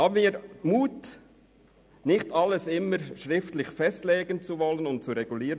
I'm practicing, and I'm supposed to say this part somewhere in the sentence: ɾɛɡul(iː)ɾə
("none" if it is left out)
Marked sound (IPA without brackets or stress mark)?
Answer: iː